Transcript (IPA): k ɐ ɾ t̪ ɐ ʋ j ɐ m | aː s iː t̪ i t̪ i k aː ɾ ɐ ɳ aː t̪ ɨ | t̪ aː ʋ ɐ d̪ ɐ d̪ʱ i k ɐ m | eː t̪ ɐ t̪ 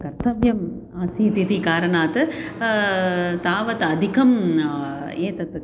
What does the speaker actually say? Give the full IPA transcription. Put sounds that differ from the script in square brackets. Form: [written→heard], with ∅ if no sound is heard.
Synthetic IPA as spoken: k ɐ ɾ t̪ ɐ ʋ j ɐ m | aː s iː t̪ i t̪ i k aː ɾ ɐ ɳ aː t̪ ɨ | t̪ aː ʋ ɐ [d̪→t̪] ɐ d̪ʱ i k ɐ m | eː t̪ ɐ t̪